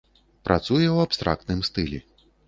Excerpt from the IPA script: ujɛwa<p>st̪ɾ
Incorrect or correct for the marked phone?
correct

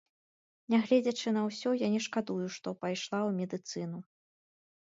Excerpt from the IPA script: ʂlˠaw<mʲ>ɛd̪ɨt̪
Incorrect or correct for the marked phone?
correct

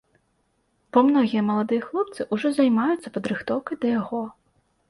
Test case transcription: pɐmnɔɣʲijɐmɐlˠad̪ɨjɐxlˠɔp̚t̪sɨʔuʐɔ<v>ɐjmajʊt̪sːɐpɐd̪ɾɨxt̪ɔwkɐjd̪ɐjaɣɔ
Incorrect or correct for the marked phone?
incorrect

